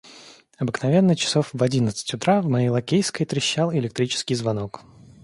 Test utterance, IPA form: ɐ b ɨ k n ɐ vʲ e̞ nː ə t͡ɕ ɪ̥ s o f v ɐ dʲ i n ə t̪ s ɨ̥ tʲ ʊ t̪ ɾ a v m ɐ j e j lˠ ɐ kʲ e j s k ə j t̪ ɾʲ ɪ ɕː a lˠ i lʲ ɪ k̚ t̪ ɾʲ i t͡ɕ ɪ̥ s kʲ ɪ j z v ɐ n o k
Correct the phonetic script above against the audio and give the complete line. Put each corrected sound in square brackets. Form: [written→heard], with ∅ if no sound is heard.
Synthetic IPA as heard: ɐ b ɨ k n ɐ vʲ e̞ nː ə t͡ɕ ɪ̥ s o f v ɐ dʲ i n ə t̪ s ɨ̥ tʲ ʊ t̪ ɾ a v m ɐ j e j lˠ ɐ kʲ e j s k ə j t̪ ɾʲ ɪ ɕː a lˠ [i→ɪ] lʲ ɪ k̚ t̪ ɾʲ i t͡ɕ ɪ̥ s kʲ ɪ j z v ɐ n o k

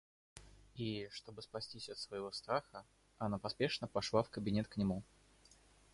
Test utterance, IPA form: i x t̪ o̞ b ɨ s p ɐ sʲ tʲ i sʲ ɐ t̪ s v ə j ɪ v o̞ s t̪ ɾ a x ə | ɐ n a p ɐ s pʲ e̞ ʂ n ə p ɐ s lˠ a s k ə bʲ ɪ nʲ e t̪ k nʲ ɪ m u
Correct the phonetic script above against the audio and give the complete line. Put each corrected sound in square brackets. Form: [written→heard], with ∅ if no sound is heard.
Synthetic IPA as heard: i [x→ʂ] t̪ o̞ b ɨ s p ɐ sʲ tʲ i sʲ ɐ t̪ s v ə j ɪ v o̞ s t̪ ɾ a x ə | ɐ n a p ɐ s pʲ e̞ ʂ n ə p ɐ [s→ʂ] lˠ a [s→f] k ə bʲ ɪ nʲ e t̪ k nʲ ɪ m u

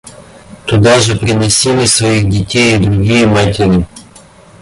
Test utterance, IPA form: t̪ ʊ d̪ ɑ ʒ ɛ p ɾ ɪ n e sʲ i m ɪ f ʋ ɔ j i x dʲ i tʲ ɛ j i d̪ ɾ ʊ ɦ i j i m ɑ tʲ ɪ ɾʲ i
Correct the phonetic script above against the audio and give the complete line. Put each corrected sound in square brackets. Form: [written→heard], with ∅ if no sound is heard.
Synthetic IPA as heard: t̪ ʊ d̪ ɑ ʒ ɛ p ɾ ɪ n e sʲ i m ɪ [f→s] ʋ ɔ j i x dʲ i tʲ ɛ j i d̪ ɾ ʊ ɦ i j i m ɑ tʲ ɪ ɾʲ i

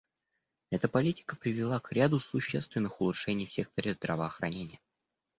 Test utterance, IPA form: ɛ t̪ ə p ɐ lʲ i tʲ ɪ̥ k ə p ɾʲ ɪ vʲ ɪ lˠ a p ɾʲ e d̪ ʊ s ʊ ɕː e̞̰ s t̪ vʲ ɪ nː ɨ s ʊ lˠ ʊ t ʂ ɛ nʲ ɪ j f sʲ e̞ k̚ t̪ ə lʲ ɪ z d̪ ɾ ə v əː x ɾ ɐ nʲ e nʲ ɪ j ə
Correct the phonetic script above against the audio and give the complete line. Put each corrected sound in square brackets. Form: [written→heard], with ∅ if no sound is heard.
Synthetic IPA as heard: ɛ t̪ ə p ɐ lʲ i tʲ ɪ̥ k ə p ɾʲ ɪ vʲ ɪ lˠ a [p→k] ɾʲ [e→a] d̪ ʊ s ʊ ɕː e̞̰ s t̪ vʲ ɪ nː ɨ [s→x] ʊ lˠ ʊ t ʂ ɛ nʲ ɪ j f sʲ e̞ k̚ t̪ ə [lʲ→ɾʲ] ɪ z d̪ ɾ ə v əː x ɾ ɐ nʲ e nʲ ɪ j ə

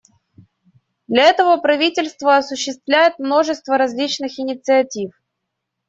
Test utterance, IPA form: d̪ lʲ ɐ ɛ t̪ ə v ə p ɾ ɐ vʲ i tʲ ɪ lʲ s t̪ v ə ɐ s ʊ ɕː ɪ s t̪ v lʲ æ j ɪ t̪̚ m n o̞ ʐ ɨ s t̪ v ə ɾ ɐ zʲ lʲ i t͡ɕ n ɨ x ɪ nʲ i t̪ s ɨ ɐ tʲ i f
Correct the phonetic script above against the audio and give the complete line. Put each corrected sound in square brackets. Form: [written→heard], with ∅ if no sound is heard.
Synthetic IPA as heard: d̪ lʲ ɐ ɛ t̪ ə v ə p ɾ ɐ vʲ i tʲ ɪ lʲ s t̪ v ə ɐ s ʊ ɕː ɪ s t̪ v lʲ æ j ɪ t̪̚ m n o̞ ʐ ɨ s t̪ v ə ɾ ɐ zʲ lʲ i t͡ɕ n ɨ x ɪ nʲ [i→ɪ] t̪ s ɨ ɐ tʲ i f

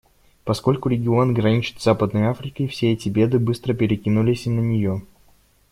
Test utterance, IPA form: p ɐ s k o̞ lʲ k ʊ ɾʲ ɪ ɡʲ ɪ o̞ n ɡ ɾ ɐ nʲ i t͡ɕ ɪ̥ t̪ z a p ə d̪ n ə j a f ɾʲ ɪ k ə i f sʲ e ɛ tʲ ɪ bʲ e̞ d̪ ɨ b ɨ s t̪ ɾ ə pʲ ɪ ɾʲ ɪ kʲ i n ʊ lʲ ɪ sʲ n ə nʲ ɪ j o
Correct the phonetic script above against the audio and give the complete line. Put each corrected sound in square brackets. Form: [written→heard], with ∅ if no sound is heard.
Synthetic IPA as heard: p ɐ s k o̞ lʲ k ʊ ɾʲ ɪ ɡʲ ɪ o̞ n ɡ ɾ ɐ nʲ i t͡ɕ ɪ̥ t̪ z a p ə d̪ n ə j a f ɾʲ ɪ k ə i f sʲ e ɛ tʲ ɪ bʲ e̞ d̪ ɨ b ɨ s t̪ ɾ ə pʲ ɪ ɾʲ ɪ kʲ i n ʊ lʲ ɪ sʲ n ə nʲ ɪ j o

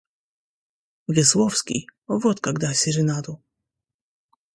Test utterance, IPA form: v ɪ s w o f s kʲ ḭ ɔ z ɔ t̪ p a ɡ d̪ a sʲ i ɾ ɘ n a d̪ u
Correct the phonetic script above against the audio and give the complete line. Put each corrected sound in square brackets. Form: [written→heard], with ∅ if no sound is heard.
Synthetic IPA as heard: v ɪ s w [o→ɔ] f s kʲ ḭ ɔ [z→v] ɔ t̪ [p→k] a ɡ d̪ a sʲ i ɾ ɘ n a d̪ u

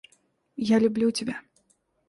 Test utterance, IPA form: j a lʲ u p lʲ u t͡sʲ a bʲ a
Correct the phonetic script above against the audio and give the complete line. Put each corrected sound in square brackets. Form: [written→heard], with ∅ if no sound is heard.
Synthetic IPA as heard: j a lʲ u [p→b] lʲ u t͡sʲ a bʲ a

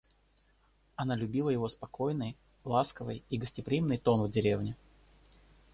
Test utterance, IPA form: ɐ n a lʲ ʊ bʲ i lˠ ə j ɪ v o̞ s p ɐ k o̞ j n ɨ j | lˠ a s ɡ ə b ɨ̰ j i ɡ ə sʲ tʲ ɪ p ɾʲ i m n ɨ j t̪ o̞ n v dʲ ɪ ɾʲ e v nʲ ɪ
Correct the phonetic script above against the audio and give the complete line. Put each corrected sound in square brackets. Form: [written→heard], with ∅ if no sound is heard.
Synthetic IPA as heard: ɐ n a lʲ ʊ bʲ i lˠ ə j ɪ v o̞ s p ɐ k o̞ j n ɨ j | lˠ a s [ɡ→k] ə [b→v] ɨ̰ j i ɡ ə sʲ tʲ ɪ p ɾʲ i m n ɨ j t̪ o̞ n v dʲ ɪ ɾʲ e v nʲ ɪ

